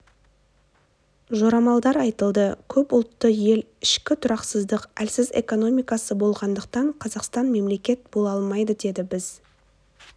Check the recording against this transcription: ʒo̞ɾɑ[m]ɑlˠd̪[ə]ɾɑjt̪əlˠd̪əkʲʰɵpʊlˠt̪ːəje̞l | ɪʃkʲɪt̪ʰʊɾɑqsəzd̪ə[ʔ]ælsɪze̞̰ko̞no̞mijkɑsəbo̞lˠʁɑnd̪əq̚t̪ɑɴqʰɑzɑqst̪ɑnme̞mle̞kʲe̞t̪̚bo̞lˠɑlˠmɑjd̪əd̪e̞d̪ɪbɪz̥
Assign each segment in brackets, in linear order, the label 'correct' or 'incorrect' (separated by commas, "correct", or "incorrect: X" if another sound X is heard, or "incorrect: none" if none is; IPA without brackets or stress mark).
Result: correct, incorrect: ɑ, incorrect: q